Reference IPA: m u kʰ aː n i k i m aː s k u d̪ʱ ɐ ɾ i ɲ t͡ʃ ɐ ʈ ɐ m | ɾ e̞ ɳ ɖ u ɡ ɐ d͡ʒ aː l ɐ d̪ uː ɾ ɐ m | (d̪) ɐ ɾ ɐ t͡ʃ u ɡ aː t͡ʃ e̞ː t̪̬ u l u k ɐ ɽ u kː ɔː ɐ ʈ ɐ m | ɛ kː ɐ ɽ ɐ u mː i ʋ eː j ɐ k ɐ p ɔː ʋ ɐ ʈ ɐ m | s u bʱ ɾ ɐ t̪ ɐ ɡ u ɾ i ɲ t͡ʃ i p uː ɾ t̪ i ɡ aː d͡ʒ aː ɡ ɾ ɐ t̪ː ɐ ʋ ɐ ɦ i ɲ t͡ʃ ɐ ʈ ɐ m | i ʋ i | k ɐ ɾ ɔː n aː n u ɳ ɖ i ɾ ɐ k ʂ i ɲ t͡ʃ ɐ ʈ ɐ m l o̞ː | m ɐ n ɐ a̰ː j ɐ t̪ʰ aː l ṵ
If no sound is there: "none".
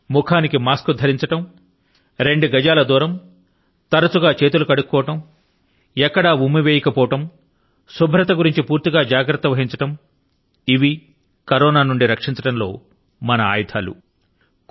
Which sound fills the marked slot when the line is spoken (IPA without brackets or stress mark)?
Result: t̪